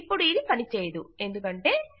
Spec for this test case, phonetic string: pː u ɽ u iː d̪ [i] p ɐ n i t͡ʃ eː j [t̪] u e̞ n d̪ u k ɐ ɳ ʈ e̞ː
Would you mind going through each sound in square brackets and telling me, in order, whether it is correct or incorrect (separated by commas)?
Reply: correct, incorrect